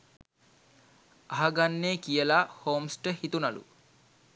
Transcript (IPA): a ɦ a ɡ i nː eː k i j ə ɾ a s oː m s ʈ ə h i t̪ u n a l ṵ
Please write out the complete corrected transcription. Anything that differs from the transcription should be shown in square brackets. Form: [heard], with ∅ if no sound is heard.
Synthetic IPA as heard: a ɦ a ɡ [a] nː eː k i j ə [l] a [h] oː m s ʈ ə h i t̪ u n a l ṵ